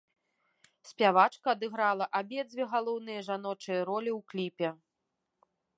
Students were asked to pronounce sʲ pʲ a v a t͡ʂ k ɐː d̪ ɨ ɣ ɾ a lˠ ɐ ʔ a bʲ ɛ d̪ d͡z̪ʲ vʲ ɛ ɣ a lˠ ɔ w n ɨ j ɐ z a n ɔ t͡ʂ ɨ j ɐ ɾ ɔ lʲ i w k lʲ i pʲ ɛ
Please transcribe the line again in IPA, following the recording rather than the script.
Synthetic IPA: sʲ pʲ a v a t͡ʂ k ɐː d̪ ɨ ɣ ɾ a lˠ ɐ ʔ a bʲ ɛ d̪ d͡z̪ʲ vʲ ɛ ɣ a lˠ ɔ w n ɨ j ɐ ʐ a n ɔ t͡ʂ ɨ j ɐ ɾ ɔ lʲ i w k lʲ i pʲ ɛ